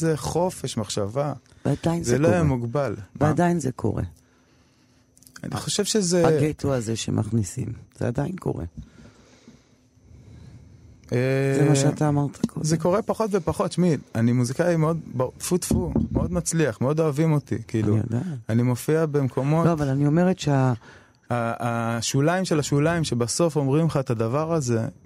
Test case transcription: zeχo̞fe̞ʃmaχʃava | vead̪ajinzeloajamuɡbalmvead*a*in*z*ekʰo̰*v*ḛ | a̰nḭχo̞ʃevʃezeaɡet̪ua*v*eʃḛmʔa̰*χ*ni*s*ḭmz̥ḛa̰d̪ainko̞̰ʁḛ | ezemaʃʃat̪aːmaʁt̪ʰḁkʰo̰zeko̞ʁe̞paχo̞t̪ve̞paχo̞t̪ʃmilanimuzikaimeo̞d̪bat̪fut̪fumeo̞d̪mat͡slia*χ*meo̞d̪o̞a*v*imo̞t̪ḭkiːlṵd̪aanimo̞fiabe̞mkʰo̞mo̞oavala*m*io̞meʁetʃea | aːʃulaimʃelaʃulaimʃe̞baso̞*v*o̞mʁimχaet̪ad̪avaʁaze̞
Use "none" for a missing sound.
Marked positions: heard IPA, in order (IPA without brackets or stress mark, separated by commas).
a, z, ʁ, z, χ, s, χ, v, n, f